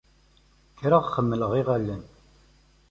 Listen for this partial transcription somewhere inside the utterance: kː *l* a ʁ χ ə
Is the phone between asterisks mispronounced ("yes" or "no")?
yes